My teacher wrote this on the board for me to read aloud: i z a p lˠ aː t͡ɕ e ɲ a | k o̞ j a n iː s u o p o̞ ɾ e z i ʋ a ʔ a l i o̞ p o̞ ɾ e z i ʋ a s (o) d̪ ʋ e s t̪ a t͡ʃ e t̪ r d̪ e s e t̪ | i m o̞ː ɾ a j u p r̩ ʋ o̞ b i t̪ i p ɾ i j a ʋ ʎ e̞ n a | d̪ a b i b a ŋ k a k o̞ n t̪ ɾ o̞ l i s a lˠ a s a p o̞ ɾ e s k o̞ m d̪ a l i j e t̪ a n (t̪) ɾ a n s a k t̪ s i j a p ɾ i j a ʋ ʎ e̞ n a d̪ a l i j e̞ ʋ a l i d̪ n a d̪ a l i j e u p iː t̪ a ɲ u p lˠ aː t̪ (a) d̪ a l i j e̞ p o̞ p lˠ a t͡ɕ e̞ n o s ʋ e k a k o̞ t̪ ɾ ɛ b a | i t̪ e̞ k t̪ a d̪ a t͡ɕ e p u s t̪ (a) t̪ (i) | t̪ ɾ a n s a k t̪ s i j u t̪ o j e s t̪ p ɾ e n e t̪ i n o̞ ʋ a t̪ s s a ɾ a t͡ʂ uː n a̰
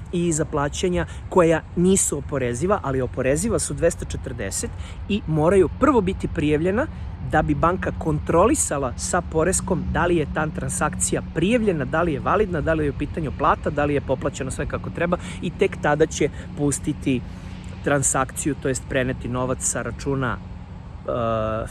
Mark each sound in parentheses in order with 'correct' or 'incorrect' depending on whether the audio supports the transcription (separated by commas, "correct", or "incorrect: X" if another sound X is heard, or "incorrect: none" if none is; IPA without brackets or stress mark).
incorrect: u, correct, correct, incorrect: i, correct